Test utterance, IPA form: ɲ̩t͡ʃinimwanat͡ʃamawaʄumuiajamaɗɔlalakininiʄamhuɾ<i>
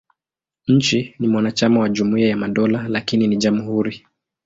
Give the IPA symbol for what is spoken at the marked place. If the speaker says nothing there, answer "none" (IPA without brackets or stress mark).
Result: i